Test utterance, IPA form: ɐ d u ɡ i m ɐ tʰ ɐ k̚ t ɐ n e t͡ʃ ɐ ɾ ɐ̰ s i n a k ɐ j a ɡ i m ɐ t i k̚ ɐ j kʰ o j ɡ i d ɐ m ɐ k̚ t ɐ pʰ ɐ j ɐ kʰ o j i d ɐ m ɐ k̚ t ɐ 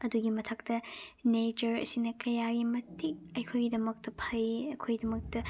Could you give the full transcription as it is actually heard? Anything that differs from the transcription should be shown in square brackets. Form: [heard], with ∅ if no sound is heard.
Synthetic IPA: ɐ d u ɡ i m ɐ tʰ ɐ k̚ t ɐ n e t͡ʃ ɐ ɾ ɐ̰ s i n [ɐ] k ɐ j a ɡ i m ɐ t i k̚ ɐ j kʰ o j ɡ i d ɐ m ɐ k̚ t ɐ pʰ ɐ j ɐ kʰ o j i d ɐ m ɐ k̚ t ɐ